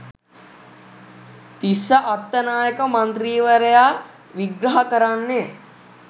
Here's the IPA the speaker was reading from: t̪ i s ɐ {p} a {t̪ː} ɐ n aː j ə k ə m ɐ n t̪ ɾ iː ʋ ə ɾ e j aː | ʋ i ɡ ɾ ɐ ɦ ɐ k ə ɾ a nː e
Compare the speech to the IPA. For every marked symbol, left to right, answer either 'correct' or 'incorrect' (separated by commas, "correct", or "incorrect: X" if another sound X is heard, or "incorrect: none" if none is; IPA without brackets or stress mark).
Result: incorrect: ʔ, correct